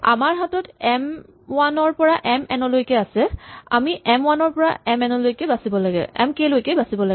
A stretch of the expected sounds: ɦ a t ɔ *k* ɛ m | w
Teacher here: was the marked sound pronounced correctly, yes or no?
no